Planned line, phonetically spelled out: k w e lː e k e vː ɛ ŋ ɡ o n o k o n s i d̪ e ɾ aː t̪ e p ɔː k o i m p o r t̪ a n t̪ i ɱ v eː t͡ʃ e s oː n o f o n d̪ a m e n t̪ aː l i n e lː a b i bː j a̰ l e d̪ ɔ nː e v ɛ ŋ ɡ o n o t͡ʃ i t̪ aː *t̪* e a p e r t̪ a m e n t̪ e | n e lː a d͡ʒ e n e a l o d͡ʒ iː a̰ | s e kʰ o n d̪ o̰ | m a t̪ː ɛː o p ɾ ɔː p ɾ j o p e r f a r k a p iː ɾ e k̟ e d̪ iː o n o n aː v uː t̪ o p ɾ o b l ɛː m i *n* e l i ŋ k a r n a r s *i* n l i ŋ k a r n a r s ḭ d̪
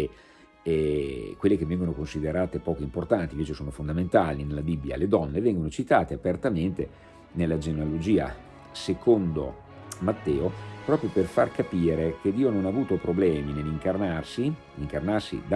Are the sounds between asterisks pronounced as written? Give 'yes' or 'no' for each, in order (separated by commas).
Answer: yes, yes, yes